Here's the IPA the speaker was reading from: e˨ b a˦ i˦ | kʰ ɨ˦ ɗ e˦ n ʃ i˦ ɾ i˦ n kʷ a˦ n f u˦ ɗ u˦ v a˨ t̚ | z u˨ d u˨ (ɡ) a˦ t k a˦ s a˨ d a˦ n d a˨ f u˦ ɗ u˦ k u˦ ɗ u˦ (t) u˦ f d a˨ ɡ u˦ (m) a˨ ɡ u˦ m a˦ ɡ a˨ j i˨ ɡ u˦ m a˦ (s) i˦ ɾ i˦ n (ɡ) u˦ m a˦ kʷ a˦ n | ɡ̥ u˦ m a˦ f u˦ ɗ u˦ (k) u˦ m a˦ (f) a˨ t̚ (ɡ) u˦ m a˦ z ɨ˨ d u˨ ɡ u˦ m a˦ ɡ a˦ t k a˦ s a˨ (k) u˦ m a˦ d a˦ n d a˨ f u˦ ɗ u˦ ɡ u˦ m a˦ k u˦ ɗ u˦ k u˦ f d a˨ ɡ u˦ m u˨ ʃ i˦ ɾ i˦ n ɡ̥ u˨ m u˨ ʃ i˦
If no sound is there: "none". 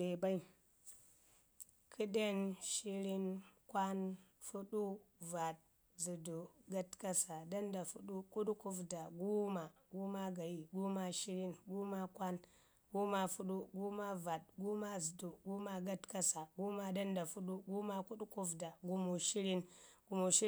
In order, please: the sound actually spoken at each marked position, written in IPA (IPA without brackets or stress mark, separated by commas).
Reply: ɡ, k, m, ʃ, ɡ, ɡ, v, ɡ, ɡ